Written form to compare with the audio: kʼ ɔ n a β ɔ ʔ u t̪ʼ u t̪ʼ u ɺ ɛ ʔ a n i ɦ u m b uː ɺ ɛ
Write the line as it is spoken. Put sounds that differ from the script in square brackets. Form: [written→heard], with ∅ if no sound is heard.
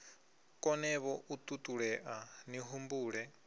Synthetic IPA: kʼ ɔ n [a→ɛ] β ɔ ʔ u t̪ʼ u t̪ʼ u ɺ ɛ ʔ a n i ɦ u m b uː ɺ ɛ